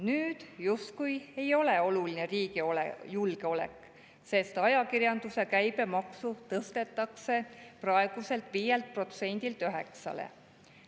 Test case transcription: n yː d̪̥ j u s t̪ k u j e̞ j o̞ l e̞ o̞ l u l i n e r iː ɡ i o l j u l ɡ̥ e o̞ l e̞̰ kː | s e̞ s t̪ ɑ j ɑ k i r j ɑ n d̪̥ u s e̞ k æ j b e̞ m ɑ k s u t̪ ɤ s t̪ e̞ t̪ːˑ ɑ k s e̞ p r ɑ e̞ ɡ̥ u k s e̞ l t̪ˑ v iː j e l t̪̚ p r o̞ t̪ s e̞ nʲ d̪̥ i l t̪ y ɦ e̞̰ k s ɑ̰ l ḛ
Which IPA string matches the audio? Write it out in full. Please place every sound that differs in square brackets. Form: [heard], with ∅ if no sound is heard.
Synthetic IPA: n yː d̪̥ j u s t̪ k u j e̞ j o̞ l e̞ o̞ l u l i n e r iː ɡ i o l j u l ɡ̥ e o̞ l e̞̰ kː | s e̞ s t̪ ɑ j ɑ k i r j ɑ n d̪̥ u s e̞ k æ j b e̞ m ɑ k s u t̪ ɤ s t̪ e̞ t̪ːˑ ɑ k s e̞ p r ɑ e̞ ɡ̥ u [∅] s e̞ l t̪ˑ v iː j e l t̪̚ p r o̞ t̪ s e̞ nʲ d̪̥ i l t̪ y ɦ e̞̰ k s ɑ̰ l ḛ